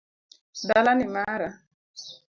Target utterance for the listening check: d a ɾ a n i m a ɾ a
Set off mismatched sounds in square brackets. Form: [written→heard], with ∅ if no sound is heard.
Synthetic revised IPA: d a [ɾ→l] a n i m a ɾ a